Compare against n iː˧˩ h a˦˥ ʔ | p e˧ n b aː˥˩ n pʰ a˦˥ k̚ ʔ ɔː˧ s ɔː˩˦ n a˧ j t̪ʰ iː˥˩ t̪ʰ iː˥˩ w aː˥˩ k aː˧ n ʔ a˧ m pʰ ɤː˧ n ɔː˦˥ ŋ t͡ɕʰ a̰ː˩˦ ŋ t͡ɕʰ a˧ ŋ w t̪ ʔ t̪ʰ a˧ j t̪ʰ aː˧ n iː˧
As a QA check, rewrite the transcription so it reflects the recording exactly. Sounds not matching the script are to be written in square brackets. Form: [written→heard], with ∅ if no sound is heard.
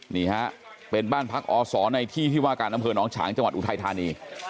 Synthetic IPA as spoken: n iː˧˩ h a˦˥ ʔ | p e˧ n b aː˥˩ n pʰ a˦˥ k̚ ʔ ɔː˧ s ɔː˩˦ n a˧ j t̪ʰ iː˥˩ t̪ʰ iː˥˩ w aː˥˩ k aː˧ n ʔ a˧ m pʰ ɤː˧ n ɔː˦˥ ŋ t͡ɕʰ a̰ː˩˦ ŋ [t͡ɕʰ→t͡ɕ] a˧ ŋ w t̪ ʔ t̪ʰ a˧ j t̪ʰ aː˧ n iː˧